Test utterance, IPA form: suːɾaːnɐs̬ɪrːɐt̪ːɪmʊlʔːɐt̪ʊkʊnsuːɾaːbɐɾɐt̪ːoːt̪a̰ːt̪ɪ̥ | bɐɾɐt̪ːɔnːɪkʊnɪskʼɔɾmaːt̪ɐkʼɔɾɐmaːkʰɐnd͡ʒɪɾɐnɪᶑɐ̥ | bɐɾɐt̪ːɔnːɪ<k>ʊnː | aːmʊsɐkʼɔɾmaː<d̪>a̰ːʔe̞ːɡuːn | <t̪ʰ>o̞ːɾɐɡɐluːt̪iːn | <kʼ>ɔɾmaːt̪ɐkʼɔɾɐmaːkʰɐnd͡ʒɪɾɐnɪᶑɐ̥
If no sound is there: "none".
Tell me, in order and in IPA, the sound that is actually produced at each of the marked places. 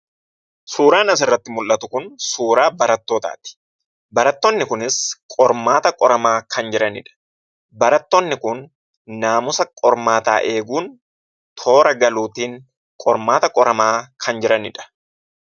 k, t̪, t̪ʰ, kʼ

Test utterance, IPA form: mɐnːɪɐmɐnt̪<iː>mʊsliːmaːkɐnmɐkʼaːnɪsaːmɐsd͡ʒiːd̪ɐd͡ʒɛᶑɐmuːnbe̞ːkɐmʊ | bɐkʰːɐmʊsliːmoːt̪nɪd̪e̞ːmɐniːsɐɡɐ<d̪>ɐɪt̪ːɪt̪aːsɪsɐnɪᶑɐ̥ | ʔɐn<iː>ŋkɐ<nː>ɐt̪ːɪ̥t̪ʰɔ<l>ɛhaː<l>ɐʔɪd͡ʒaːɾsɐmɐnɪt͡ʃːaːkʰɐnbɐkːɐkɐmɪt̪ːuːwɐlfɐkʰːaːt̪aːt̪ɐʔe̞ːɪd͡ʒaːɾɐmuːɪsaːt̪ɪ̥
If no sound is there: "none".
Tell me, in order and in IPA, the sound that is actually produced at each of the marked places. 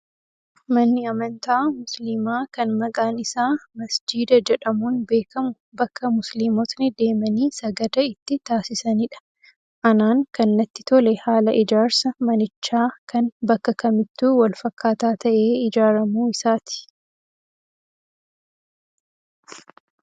aː, d̪, aː, nː, l, l

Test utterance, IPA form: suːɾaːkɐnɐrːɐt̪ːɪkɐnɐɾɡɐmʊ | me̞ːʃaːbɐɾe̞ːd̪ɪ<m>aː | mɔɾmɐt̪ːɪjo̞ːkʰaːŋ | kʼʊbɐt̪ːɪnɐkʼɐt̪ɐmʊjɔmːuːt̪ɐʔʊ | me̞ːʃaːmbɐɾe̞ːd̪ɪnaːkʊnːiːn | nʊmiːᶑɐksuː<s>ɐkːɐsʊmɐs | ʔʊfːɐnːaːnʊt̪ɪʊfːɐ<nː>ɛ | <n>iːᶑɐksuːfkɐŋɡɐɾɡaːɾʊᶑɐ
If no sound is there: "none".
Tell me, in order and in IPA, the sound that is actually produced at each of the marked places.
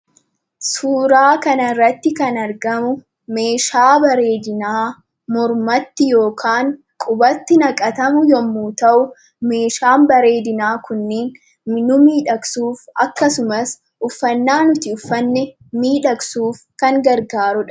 n, f, nː, m

